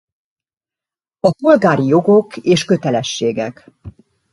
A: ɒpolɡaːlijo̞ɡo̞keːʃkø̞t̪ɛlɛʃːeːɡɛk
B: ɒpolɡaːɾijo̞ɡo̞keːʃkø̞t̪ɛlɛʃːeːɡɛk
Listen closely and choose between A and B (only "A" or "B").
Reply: B